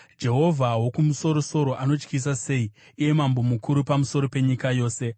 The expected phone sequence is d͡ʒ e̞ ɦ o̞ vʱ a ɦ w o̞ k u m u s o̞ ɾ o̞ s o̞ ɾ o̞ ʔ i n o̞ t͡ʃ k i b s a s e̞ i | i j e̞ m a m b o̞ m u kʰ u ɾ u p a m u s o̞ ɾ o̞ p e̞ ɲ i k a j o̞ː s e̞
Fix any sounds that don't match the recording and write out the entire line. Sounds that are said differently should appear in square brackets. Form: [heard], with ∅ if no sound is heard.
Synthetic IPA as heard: d͡ʒ e̞ ɦ o̞ vʱ a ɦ w o̞ k u m u s o̞ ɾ o̞ s o̞ ɾ o̞ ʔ [a] n o̞ t͡ʃ k i [∅] s a s e̞ i | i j e̞ m a m b o̞ m u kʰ u ɾ u p a m u s o̞ ɾ o̞ p e̞ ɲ i k a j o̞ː s e̞